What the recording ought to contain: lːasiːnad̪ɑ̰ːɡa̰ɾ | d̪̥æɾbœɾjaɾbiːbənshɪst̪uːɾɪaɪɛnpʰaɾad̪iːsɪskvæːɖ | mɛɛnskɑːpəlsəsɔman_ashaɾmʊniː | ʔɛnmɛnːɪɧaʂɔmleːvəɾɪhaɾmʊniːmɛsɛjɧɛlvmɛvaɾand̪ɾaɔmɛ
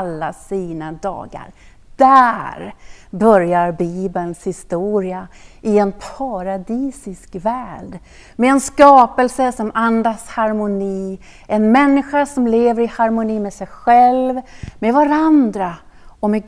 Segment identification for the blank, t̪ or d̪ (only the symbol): d̪